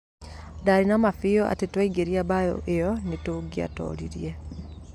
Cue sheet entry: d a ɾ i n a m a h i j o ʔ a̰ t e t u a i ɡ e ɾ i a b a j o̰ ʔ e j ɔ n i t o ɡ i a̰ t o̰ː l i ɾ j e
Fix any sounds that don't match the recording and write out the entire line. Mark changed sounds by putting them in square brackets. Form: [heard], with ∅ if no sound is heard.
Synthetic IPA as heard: d a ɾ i n a m a [f] i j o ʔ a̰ t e t [w] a i ɡ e ɾ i a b a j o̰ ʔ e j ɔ n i t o ɡ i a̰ t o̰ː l i ɾ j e